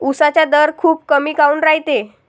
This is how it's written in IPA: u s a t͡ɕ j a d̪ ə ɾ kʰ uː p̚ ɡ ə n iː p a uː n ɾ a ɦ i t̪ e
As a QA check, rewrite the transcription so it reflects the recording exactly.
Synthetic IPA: u s a t͡ɕ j a d̪ ə ɾ kʰ uː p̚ k ə m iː k a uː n ɾ a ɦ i t̪ e